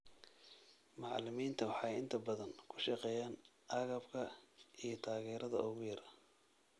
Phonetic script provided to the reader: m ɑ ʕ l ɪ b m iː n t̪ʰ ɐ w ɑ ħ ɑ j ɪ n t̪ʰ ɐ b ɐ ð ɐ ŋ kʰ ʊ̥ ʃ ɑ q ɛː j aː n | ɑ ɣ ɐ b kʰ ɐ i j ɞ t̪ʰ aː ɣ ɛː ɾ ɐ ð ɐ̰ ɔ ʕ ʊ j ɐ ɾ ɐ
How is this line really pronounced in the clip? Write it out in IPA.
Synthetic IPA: m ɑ ʕ l ɪ m iː n t̪ʰ ɐ w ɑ ħ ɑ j ɪ n t̪ʰ ɐ b ɐ ð ɐ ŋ kʰ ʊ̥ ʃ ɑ q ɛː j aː n | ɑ ɣ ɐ b kʰ ɐ i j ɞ t̪ʰ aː ɣ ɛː ɾ ɐ ð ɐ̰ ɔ ɣ ʊ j ɐ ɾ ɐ